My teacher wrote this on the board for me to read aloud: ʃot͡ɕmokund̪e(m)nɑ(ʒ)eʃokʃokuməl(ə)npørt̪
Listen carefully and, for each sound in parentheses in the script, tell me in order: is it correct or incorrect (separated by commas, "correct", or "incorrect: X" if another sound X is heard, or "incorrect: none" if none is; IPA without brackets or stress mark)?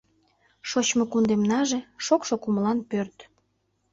correct, correct, incorrect: ɑ